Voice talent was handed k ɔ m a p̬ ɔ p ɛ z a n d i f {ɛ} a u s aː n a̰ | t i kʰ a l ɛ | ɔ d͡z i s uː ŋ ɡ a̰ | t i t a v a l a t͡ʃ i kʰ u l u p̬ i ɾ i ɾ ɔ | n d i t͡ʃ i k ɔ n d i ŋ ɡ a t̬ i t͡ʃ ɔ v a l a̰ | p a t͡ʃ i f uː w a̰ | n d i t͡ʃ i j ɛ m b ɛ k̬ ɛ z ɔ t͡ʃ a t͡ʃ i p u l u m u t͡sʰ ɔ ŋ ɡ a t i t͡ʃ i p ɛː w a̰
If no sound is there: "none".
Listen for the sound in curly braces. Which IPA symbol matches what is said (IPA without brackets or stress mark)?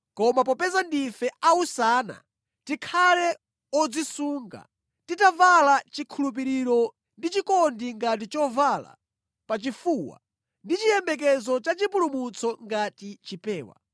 ɛ